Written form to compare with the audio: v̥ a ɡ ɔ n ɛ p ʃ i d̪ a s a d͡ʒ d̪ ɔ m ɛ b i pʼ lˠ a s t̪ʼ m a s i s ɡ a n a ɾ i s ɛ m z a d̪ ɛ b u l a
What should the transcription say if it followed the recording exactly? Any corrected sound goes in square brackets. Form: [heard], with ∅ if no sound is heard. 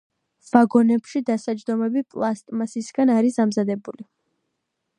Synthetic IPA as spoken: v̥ a ɡ ɔ n ɛ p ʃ i d̪ a s a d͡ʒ d̪ ɔ m ɛ b i pʼ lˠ a s t̪ʼ m a s i s ɡ a n a ɾ i s [a] m z a d̪ ɛ b u l [i]